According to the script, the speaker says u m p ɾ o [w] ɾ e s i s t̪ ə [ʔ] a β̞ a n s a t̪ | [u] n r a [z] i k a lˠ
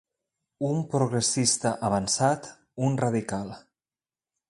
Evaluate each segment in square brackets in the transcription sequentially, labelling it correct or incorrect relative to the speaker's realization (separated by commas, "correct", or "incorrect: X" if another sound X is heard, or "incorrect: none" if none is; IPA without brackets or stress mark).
incorrect: ɣ, correct, correct, incorrect: ð